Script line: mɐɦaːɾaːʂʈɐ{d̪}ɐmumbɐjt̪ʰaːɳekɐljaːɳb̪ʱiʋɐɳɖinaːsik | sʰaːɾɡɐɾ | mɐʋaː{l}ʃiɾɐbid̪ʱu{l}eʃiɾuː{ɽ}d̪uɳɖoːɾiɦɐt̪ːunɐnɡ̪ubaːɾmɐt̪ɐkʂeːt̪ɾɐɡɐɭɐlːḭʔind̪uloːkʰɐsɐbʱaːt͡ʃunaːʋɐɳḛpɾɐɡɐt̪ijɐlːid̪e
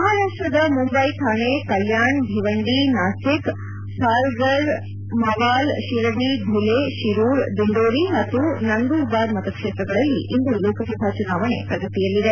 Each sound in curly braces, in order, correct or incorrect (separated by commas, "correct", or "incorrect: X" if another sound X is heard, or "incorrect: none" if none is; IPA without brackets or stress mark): correct, correct, correct, incorrect: ɾ